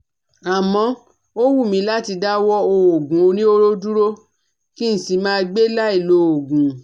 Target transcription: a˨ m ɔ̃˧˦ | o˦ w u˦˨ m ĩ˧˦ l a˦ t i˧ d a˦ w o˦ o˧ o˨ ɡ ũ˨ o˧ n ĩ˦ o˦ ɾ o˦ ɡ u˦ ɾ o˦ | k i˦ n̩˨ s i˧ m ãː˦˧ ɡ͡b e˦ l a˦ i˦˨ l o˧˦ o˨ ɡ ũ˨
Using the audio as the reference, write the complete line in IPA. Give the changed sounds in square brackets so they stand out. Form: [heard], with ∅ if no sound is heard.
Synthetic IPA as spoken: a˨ m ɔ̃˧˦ | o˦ w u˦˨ m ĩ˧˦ l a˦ t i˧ d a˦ w [ɔ˦] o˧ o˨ ɡ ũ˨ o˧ n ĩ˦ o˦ ɾ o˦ [d] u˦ ɾ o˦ | k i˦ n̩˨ s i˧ m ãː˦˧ ɡ͡b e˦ l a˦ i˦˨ l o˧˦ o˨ ɡ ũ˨